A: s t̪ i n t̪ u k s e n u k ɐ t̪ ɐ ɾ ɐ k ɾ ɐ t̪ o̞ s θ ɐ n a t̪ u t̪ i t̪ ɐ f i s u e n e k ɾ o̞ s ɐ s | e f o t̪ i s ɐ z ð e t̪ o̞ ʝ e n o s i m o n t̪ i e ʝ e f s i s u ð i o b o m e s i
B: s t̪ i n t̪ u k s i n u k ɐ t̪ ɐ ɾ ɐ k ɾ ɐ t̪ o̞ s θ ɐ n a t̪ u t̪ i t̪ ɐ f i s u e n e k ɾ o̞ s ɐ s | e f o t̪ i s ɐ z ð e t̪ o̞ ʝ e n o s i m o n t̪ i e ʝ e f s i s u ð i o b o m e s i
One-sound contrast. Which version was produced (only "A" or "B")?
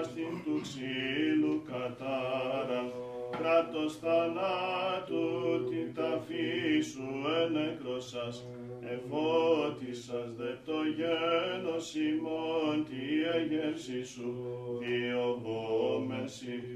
B